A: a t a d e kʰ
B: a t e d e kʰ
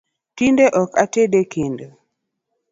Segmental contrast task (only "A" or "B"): B